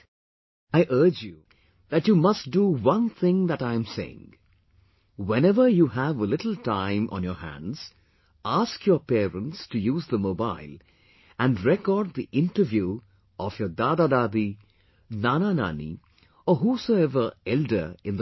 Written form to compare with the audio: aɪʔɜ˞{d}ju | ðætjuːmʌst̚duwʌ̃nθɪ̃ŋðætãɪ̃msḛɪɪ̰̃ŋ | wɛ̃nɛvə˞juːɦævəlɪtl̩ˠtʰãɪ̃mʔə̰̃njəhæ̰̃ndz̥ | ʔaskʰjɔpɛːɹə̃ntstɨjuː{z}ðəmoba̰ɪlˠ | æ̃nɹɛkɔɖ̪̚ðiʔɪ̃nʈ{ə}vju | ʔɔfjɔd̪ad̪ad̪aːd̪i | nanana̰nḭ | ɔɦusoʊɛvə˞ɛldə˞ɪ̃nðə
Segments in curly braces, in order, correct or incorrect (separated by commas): incorrect, correct, correct